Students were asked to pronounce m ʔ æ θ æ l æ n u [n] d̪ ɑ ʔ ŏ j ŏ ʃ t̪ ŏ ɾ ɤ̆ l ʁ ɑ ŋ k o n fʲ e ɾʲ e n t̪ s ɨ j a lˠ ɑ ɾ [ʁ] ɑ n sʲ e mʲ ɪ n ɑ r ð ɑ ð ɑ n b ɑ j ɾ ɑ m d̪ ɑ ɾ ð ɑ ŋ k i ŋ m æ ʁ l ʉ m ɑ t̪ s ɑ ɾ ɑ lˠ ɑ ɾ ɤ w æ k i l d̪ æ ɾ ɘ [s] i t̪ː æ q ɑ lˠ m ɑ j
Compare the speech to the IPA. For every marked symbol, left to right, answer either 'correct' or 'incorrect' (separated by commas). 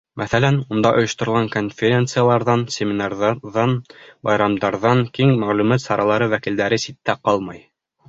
correct, incorrect, correct